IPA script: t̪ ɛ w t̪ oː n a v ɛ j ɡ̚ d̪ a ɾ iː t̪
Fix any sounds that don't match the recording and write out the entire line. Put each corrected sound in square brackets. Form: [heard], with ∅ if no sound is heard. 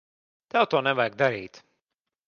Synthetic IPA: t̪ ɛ w t̪ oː n [ɛ] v [a] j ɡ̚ d̪ a ɾ iː t̪